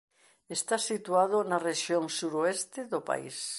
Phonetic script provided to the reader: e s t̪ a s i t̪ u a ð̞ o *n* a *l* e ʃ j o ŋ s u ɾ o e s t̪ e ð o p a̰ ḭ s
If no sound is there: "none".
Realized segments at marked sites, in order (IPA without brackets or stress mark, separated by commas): n, r